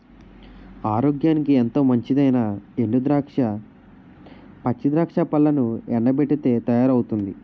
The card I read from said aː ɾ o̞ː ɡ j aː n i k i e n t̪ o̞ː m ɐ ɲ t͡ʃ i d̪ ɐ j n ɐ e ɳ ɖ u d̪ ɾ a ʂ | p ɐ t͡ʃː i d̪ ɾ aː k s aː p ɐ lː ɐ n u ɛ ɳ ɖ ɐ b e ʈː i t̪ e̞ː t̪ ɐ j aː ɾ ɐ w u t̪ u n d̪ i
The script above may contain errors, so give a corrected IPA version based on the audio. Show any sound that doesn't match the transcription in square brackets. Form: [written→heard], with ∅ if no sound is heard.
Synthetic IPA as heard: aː ɾ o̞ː ɡ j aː n i k i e n t̪ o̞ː m ɐ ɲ t͡ʃ i d̪ ɐ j n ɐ e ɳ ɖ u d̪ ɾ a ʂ | p ɐ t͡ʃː i d̪ ɾ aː k [s→ʂ] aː p ɐ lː ɐ n u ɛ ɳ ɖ ɐ b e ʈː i t̪ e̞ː t̪ ɐ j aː ɾ ɐ w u t̪ u n d̪ i